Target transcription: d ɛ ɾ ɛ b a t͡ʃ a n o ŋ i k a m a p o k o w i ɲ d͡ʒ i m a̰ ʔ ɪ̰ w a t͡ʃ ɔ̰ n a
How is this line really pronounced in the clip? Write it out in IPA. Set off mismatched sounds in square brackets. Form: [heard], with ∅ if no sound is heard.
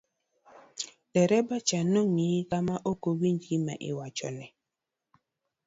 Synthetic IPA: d ɛ ɾ ɛ b a t͡ʃ a n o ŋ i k a m a [ʔ] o k o w i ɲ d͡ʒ i m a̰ ʔ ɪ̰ w a t͡ʃ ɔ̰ n [ɛ]

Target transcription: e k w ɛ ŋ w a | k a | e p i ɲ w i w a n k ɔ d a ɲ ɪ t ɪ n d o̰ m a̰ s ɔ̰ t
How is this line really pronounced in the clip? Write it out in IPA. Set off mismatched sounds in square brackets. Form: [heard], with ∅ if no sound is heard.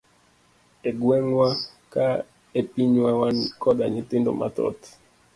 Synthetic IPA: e [ɡ] w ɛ ŋ w a | k a | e p i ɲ w [a] w a n k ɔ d a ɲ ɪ t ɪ n d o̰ m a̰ [t] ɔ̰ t

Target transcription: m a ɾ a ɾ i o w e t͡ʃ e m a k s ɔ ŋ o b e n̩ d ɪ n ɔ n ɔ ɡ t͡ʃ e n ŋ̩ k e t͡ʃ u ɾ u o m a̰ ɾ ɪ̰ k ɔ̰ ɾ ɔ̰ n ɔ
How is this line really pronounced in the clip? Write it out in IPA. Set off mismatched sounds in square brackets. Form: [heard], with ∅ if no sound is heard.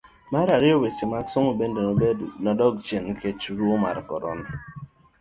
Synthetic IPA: m a ɾ a ɾ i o w e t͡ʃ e m a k s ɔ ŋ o b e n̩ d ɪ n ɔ [d] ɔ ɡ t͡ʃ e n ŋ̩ k e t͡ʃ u ɾ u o m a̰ ɾ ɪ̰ k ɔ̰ ɾ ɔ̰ n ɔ

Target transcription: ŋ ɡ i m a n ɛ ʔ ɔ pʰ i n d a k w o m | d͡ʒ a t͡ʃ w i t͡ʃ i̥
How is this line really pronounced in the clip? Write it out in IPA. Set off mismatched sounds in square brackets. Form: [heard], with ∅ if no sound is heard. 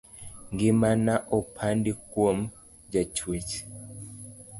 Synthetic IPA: ŋ ɡ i m a n [a] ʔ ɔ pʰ [a] n d [i] k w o m | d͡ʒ a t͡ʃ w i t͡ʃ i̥

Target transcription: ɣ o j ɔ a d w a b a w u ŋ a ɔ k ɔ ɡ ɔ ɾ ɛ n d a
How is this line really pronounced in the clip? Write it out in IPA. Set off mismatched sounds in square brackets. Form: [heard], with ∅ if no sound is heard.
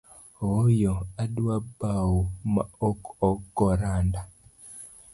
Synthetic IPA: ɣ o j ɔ a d w a b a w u [m] a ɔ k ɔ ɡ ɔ ɾ [a] n d a

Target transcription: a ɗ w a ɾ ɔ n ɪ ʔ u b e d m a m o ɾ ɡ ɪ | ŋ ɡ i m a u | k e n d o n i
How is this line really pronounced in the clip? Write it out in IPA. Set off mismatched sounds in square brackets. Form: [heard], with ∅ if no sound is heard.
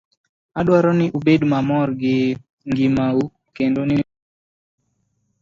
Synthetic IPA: a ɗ w a ɾ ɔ n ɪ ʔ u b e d m a m [ɔ] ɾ ɡ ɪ | ŋ ɡ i m a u | k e n d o n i

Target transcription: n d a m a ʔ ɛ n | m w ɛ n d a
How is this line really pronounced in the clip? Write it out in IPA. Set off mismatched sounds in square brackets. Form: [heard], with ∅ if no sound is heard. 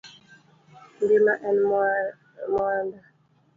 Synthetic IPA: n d [i] m a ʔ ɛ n | m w [a] n d a

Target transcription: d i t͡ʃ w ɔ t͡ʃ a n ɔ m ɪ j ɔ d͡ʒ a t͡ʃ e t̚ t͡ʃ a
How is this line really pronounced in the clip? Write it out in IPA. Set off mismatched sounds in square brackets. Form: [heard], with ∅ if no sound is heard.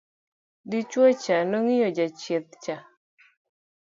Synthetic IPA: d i t͡ʃ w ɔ t͡ʃ a n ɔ [ŋ] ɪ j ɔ d͡ʒ a t͡ʃ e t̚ t͡ʃ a

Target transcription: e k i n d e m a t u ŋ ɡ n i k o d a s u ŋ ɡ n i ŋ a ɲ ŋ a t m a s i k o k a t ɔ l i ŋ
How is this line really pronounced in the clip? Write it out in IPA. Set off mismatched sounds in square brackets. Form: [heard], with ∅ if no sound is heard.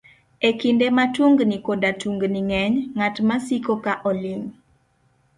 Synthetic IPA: e k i n d e m a t u ŋ ɡ n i k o d a [t] u ŋ ɡ n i ŋ [ɛ] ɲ ŋ a t m a s i k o k a [ʔ] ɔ l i ŋ

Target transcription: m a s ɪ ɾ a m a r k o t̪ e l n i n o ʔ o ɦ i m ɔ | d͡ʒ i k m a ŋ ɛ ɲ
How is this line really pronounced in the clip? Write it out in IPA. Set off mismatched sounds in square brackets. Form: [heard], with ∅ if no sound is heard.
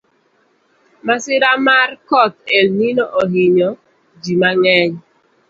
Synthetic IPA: m a s ɪ ɾ a m a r k [ɔ] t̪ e l n i n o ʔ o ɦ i [ɲ] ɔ | d͡ʒ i [∅] m a ŋ ɛ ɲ

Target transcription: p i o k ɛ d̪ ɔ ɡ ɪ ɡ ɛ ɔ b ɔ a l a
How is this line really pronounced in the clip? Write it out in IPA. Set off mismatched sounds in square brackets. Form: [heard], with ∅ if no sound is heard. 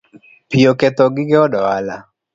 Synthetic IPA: p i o k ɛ [t̪] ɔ ɡ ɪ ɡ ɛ ɔ [d] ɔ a l a

